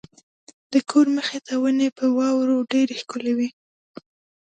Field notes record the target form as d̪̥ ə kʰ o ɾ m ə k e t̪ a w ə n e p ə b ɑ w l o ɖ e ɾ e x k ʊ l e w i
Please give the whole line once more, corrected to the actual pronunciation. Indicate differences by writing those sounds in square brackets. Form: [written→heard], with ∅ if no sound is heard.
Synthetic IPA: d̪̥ ə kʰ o ɾ m ə [k→x] e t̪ a w ə n e p ə [b→w] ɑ w [l→ɾ] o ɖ e ɾ e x k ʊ l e w i